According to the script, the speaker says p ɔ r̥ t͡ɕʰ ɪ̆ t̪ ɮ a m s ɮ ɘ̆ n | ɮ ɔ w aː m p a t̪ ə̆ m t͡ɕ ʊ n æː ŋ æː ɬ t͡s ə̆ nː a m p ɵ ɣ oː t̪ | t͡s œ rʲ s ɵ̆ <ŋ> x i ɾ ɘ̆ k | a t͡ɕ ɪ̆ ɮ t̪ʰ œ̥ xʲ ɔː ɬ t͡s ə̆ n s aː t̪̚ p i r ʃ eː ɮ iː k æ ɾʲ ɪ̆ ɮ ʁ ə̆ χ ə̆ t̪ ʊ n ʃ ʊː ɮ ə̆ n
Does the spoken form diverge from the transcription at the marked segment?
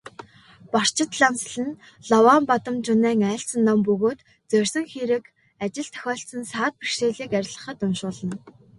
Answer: no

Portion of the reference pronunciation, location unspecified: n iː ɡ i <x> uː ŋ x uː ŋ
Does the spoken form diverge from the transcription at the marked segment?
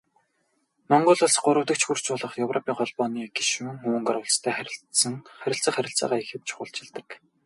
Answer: yes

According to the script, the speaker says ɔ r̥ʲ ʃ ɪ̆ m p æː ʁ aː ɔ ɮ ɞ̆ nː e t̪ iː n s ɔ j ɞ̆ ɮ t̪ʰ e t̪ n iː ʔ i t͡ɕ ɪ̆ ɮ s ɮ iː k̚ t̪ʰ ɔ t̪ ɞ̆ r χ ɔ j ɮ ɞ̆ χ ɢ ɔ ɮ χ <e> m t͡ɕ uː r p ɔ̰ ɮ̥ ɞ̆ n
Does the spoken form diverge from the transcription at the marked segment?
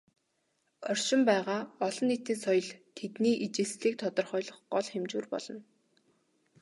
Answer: no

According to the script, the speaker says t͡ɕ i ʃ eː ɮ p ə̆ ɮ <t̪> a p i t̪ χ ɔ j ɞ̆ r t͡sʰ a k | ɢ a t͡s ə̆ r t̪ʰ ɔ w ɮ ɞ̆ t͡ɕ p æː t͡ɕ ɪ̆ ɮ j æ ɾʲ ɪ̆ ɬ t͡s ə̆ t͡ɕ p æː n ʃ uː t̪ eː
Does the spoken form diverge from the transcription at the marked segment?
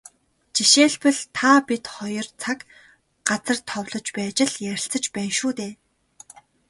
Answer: yes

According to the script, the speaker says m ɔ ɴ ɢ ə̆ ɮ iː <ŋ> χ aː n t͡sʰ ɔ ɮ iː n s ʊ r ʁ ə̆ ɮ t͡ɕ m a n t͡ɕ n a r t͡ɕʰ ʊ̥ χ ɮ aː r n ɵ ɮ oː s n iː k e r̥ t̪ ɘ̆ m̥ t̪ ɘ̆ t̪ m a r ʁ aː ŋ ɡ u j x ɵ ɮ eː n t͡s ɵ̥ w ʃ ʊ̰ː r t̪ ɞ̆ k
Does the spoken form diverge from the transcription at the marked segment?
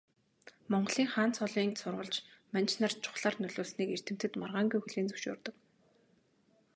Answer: no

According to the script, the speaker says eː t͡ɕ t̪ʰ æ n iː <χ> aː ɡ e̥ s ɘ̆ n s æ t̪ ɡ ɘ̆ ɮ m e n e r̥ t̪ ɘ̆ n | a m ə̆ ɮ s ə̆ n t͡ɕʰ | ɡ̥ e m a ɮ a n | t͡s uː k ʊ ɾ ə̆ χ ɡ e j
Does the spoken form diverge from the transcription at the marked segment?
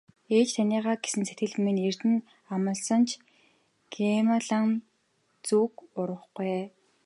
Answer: yes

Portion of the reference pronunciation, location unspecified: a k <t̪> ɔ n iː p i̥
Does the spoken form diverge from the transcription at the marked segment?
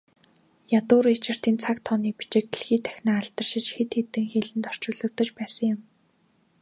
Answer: yes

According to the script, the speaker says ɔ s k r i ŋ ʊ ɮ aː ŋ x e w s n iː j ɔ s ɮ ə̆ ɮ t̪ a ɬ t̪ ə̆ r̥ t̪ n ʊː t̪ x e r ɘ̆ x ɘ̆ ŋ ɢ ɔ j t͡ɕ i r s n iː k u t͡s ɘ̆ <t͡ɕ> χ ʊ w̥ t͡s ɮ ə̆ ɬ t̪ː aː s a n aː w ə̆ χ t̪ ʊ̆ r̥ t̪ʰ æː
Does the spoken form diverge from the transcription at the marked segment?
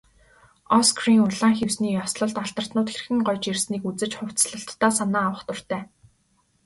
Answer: no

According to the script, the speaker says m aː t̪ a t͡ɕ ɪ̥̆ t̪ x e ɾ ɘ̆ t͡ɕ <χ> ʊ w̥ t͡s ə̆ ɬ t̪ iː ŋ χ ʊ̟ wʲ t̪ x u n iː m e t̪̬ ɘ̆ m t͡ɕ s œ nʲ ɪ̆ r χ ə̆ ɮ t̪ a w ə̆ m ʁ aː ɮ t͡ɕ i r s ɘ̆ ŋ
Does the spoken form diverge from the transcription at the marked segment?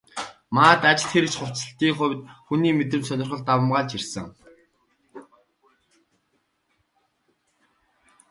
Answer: no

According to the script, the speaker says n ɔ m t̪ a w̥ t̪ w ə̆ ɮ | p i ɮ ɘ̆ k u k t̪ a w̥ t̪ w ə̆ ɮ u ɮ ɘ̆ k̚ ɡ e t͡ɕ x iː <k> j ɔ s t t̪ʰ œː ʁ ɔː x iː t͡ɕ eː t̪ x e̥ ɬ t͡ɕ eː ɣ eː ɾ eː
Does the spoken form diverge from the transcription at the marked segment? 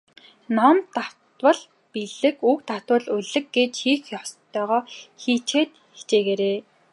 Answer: yes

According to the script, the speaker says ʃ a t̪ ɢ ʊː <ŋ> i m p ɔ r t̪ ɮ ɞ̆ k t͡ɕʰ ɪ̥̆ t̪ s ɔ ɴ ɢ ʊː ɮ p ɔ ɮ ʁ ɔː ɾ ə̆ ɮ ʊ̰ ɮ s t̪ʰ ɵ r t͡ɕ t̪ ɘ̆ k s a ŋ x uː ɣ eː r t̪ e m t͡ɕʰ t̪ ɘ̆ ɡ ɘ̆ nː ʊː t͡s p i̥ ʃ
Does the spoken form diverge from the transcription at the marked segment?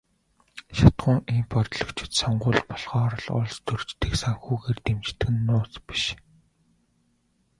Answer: no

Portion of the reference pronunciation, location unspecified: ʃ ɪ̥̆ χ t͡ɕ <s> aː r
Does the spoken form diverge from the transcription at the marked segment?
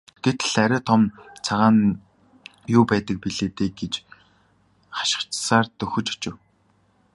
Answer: no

